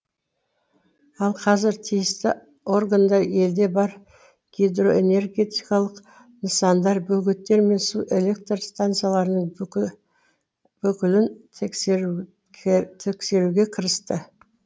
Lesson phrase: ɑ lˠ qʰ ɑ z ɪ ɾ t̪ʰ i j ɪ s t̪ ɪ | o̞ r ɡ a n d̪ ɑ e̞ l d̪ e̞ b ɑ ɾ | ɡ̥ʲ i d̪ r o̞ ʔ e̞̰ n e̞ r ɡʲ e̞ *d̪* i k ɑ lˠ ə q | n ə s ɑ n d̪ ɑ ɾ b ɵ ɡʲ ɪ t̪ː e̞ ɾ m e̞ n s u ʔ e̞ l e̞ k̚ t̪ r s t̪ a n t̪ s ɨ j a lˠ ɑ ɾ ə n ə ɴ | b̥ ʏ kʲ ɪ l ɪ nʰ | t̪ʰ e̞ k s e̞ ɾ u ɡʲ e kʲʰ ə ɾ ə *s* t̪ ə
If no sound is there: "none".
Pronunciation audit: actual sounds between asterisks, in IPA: t̪, s

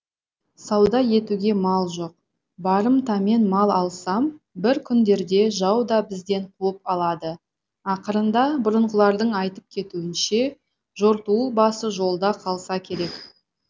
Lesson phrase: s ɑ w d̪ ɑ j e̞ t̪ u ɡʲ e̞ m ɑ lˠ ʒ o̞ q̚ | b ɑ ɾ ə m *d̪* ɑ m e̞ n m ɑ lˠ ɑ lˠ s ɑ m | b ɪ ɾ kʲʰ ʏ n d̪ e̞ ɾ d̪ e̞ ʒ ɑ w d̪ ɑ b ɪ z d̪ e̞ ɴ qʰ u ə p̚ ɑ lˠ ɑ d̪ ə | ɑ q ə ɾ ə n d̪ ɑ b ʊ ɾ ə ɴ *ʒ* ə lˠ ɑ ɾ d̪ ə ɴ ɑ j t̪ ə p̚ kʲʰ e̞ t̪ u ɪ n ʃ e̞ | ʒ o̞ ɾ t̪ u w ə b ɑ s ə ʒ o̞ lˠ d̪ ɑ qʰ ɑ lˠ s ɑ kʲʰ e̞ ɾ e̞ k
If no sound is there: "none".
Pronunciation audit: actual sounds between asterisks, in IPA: t̪, ʁ

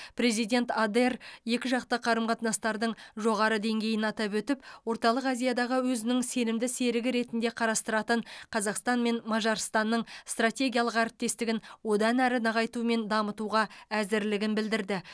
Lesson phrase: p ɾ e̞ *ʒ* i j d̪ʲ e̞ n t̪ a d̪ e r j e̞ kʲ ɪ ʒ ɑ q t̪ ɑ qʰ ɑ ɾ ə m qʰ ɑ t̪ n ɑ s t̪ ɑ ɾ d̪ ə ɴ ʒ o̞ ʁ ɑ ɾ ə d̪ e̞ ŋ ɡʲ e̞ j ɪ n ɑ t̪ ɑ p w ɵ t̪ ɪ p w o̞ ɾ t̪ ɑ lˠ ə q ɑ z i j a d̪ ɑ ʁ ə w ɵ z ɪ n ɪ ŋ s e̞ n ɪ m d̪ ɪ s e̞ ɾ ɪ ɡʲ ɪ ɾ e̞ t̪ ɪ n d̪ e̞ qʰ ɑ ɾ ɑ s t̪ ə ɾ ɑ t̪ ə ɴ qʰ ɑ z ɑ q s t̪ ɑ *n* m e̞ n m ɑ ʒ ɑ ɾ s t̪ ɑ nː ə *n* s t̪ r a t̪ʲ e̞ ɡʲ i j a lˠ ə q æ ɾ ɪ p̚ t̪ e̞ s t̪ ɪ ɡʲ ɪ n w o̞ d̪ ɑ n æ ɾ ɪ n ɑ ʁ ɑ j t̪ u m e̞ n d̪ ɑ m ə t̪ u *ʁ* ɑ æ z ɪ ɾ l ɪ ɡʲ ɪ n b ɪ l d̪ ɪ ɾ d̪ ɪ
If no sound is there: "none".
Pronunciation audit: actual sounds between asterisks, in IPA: z, n, ɴ, ʁ

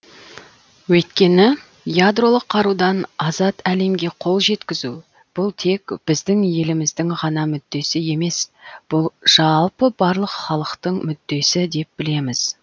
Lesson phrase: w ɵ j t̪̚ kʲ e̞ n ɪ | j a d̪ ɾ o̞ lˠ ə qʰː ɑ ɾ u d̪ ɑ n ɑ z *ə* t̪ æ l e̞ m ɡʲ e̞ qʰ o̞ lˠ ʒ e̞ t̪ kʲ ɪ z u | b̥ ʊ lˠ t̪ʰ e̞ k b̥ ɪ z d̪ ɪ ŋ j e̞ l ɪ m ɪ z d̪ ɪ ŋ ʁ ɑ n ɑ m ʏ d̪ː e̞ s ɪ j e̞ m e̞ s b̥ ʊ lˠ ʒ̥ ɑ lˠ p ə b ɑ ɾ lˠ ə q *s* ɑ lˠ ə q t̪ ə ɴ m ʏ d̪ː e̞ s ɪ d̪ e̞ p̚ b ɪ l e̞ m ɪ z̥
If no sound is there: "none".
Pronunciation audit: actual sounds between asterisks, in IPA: ɑ, χ

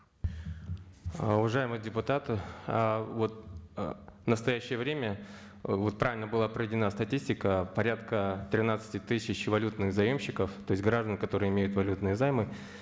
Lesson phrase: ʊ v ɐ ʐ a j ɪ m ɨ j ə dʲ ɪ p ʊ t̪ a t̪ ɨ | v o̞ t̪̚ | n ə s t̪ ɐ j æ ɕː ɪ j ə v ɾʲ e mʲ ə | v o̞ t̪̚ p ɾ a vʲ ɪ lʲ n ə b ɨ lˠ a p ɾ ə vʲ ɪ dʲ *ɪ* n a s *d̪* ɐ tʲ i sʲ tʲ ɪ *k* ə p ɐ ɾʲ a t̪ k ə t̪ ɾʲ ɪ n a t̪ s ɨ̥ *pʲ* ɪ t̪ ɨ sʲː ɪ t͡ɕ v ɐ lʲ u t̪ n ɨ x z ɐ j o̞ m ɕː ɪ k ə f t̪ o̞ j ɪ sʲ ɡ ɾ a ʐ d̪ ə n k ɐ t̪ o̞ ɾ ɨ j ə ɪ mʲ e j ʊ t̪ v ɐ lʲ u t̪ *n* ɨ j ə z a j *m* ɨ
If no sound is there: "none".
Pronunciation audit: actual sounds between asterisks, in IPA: ɪ, t̪, k, tʲ, n, m

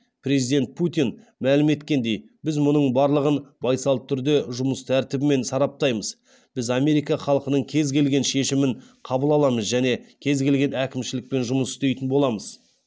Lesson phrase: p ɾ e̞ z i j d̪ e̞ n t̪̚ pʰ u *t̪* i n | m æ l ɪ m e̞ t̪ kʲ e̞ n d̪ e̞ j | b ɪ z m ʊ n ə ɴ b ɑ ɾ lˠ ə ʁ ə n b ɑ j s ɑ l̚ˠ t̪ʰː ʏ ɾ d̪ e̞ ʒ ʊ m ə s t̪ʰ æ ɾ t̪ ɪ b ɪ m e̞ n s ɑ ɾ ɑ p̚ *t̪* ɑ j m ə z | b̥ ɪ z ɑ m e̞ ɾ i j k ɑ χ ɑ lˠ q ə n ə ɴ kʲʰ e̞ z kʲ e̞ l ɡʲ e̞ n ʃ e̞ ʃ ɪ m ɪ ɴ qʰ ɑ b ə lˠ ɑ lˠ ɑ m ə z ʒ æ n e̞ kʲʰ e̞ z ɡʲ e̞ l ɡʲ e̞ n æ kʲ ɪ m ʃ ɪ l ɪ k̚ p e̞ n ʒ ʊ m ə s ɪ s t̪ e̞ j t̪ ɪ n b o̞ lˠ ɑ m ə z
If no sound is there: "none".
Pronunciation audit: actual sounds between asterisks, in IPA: t̪, t̪

